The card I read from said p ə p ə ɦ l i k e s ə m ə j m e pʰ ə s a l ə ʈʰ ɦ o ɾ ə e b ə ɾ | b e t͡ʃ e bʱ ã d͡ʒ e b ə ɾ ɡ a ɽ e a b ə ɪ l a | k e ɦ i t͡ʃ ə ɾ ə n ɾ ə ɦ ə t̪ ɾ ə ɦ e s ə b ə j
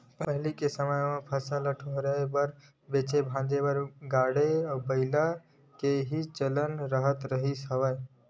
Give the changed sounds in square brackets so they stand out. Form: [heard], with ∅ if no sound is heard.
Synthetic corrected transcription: p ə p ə ɦ l i k e s ə m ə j m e pʰ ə s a l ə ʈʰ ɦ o ɾ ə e b ə ɾ | b e t͡ʃ e bʱ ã d͡ʒ e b ə ɾ ɡ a ɽ e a b ə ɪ l a | k e ɦ i t͡ʃ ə [l] ə n ɾ ə ɦ ə t̪ ɾ ə ɦ [i] s ə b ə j